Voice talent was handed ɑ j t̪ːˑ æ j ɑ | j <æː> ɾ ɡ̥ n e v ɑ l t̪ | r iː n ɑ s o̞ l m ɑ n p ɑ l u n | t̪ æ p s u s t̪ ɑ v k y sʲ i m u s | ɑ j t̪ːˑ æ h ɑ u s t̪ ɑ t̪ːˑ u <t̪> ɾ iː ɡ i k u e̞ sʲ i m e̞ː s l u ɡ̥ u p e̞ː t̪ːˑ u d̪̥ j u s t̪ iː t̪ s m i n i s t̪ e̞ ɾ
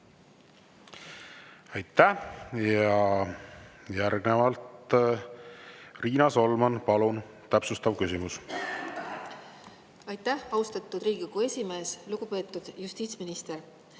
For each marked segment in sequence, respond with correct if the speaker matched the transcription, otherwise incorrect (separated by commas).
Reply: incorrect, incorrect